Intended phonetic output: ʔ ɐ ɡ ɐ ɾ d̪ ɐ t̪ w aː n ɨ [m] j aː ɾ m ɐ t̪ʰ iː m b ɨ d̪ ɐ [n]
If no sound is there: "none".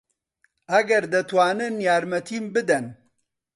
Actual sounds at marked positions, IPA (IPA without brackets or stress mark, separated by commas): n, n